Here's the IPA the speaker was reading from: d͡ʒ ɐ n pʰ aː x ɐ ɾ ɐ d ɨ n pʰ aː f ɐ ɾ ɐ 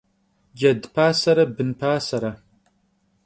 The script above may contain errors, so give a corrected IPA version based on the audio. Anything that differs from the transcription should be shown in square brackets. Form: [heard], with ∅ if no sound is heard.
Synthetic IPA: d͡ʒ ɐ [d] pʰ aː [s] ɐ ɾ ɐ [b] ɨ n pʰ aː [s] ɐ ɾ ɐ